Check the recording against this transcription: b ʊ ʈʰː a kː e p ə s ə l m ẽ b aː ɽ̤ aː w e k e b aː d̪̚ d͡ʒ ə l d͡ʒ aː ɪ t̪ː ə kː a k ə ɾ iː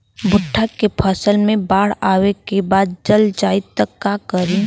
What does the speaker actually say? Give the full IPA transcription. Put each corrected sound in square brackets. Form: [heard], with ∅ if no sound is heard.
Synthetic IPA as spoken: b ʊ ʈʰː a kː e [pʰ] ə s ə l m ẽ b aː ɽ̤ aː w e k e b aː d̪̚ d͡ʒ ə l d͡ʒ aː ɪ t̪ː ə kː a k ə ɾ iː